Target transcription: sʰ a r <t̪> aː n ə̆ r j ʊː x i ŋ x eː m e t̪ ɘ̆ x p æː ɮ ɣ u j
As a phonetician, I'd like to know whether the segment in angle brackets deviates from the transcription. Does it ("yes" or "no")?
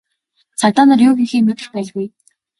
no